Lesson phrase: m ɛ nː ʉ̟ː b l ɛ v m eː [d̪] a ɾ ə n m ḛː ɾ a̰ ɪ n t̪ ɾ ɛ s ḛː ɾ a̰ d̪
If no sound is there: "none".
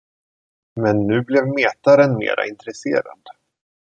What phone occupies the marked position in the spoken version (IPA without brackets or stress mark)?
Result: t̪